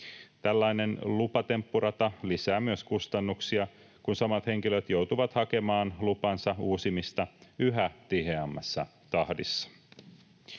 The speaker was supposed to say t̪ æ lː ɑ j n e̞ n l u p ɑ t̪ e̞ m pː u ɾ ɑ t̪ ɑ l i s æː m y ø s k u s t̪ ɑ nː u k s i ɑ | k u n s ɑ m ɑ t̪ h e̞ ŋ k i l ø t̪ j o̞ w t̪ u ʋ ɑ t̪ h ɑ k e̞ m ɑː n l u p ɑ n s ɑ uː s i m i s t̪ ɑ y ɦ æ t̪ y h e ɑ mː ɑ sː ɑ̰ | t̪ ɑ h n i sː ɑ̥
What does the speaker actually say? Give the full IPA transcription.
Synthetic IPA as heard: t̪ æ lː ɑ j n e̞ n l u p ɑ t̪ e̞ m pː u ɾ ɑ t̪ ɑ l i s æː m y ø s k u s t̪ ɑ nː u k s i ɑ | k u n s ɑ m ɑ t̪ h e̞ ŋ k i l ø t̪ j o̞ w t̪ u ʋ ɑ t̪ h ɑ k e̞ m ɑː n l u p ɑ n s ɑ uː s i m i s t̪ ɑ y ɦ æ t̪ i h e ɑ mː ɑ sː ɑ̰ | t̪ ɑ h d i sː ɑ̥